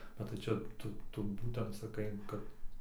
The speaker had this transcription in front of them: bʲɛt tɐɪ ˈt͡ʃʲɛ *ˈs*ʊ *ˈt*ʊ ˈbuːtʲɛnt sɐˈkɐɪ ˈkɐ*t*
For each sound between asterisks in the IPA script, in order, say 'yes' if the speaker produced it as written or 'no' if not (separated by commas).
no, yes, yes